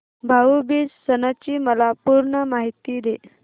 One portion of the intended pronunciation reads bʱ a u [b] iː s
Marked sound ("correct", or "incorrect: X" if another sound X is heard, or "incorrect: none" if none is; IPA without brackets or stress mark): correct